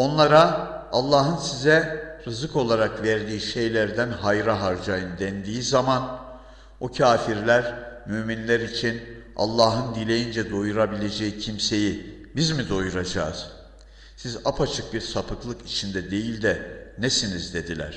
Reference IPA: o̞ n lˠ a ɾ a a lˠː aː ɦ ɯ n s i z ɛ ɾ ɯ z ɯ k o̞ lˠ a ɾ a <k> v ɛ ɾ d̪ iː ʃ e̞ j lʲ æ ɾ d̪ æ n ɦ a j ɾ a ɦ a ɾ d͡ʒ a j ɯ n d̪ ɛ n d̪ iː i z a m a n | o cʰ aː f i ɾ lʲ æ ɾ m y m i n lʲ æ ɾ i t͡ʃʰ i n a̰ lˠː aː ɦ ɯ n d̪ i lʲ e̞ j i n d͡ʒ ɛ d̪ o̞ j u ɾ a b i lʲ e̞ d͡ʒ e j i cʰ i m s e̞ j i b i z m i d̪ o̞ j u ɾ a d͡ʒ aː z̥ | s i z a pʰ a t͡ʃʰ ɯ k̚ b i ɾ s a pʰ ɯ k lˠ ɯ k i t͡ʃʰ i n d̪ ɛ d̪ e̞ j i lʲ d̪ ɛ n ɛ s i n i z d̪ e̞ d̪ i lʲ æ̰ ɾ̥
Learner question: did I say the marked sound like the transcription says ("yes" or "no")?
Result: yes